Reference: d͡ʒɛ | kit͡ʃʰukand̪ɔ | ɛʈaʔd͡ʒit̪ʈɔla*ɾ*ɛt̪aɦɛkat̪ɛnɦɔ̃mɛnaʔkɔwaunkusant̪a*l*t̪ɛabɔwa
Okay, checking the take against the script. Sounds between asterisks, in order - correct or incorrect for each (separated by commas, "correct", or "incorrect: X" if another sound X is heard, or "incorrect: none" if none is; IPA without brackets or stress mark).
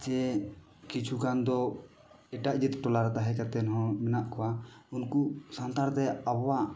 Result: correct, incorrect: ɾ